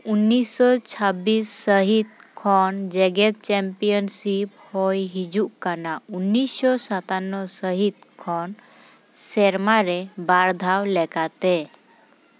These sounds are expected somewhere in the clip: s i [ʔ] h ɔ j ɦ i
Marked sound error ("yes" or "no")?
yes